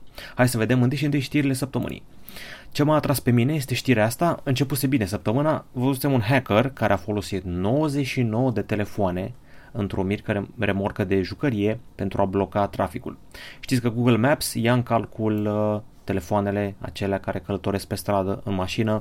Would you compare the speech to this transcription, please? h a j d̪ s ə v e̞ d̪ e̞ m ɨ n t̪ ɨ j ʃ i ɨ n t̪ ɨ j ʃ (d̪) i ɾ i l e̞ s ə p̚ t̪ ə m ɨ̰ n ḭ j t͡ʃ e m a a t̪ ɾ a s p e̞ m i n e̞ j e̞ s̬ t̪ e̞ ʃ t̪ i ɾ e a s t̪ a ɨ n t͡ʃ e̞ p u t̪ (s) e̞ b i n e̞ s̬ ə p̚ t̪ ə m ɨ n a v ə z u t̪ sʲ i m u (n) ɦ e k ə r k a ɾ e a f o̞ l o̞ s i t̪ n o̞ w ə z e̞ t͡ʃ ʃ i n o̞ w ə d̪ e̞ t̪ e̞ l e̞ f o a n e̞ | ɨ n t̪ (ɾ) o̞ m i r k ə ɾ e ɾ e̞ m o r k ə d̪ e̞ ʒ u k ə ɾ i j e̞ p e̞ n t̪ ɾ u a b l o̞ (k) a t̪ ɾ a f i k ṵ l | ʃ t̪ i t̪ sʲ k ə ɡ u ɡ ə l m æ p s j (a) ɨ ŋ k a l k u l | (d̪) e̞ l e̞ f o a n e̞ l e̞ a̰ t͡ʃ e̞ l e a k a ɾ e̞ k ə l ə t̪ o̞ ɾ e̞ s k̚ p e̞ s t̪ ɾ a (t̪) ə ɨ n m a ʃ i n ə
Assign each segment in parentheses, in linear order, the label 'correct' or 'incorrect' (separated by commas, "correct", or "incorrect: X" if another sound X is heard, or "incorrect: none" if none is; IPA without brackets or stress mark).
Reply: incorrect: t̪, correct, correct, correct, correct, correct, incorrect: t̪, incorrect: d̪